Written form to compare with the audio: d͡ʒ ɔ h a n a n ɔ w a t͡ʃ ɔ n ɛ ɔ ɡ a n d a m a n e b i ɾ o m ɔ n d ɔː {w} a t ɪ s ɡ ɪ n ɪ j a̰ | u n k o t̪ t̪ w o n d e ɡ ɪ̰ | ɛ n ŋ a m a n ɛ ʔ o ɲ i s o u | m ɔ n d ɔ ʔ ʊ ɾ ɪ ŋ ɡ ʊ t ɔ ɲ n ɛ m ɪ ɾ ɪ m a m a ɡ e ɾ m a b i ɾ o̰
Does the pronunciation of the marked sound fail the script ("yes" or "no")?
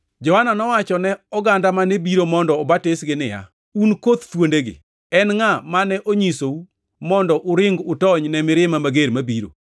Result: yes